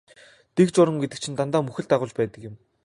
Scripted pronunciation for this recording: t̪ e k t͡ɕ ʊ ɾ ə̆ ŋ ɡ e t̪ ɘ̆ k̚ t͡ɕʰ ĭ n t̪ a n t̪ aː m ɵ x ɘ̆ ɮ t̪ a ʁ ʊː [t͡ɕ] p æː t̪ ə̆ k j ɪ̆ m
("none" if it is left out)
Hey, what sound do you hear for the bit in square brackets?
t͡ɕ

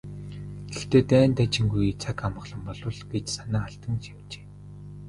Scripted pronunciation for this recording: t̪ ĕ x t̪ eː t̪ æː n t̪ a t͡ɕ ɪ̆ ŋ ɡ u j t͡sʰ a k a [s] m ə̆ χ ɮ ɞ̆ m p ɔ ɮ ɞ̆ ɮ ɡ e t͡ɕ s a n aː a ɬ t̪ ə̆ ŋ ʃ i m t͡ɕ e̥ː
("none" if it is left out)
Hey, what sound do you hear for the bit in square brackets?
none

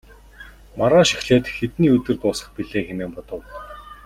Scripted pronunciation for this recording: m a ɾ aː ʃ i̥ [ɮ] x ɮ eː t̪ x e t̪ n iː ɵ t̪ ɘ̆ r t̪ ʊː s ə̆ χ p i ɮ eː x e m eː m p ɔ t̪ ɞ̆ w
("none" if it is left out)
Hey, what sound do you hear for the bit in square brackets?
none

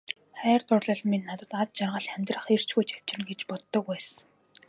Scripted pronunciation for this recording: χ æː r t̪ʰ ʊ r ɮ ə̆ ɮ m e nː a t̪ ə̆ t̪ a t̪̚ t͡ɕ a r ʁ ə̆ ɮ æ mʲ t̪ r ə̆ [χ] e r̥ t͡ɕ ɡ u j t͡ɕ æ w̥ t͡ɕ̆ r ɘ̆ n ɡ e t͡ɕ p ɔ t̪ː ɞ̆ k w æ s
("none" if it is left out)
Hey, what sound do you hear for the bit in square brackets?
χ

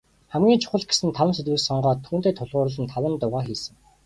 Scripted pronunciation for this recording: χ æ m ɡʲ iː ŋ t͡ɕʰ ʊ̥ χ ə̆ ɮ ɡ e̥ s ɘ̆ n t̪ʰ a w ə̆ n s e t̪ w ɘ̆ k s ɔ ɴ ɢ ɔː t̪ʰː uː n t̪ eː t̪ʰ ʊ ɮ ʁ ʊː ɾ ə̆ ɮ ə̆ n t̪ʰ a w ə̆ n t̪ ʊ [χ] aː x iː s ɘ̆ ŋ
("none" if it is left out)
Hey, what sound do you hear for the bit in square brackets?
ʁ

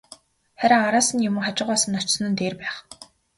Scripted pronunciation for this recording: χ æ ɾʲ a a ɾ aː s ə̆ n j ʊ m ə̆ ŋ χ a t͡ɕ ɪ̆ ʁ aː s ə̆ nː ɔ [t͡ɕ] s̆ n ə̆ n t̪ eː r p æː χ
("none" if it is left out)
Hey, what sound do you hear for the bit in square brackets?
t͡ɕ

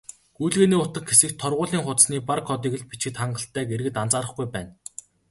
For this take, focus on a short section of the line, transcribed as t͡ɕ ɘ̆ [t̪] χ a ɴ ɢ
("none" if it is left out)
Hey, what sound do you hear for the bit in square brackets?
t̪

